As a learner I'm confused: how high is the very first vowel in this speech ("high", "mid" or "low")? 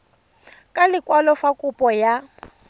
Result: low